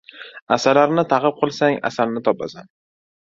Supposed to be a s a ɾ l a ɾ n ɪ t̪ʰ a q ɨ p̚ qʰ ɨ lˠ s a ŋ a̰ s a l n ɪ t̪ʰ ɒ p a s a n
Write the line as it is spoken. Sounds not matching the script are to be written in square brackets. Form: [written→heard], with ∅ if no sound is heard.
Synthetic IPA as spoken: a s a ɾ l a ɾ n ɪ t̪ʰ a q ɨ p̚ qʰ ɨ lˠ s a ŋ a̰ s a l n ɪ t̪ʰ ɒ p a s a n